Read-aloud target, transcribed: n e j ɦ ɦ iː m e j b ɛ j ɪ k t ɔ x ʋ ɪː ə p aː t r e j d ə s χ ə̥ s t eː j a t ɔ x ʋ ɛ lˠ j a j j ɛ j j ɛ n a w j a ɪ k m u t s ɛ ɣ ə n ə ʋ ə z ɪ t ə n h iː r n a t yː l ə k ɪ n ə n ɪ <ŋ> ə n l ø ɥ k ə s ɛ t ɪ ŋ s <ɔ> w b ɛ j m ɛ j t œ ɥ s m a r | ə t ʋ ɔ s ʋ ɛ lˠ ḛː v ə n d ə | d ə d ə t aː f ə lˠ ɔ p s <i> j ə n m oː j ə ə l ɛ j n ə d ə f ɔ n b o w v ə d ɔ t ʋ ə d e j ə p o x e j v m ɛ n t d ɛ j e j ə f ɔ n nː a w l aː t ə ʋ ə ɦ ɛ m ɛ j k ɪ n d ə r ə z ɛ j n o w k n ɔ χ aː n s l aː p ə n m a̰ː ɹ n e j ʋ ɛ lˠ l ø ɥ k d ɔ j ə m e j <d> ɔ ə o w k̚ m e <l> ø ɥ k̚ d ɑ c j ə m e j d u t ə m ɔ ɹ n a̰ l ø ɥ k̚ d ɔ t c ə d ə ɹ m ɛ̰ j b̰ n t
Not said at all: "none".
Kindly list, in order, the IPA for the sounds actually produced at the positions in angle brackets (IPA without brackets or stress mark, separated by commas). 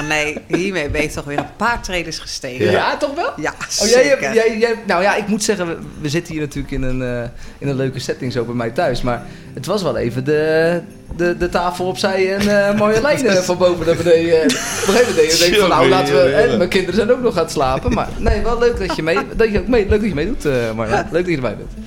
n, o, ɛ, d, l